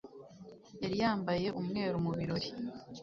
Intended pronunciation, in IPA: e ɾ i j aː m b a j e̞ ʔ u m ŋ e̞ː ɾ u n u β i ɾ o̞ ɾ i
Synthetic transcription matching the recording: e ɾ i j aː m b a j e̞ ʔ u m ŋ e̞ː ɾ u m u β i ɾ o̞ ɾ i